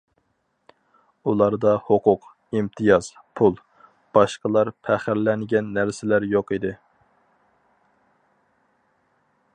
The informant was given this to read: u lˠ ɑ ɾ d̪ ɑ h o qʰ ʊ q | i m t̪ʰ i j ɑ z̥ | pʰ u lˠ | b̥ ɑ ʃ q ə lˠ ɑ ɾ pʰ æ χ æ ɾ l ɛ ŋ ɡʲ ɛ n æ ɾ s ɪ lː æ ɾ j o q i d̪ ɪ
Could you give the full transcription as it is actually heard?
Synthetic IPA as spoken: u lˠ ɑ ɾ d̪ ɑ h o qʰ ʊ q | i m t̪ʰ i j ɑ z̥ | pʰ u lˠ | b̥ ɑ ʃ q ə lˠ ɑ ɾ pʰ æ χ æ ɾ l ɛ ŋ ɡʲ ɛ nː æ ɾ s ɪ l æ ɾ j o q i d̪ ɪ